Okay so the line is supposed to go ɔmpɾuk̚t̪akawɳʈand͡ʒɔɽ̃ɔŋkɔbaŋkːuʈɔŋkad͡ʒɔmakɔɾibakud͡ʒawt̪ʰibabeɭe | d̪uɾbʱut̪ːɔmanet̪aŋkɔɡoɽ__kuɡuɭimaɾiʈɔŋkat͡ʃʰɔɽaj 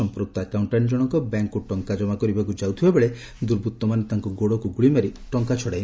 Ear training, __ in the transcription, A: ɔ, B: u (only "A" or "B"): A